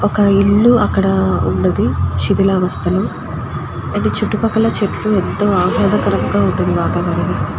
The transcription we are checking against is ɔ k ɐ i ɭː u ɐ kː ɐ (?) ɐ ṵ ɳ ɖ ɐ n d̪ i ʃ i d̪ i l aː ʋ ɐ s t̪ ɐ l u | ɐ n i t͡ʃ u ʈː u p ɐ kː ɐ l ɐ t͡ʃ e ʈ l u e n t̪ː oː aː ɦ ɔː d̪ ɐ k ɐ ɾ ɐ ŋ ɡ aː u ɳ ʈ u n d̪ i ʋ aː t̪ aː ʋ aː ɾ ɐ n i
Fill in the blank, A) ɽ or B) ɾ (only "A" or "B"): A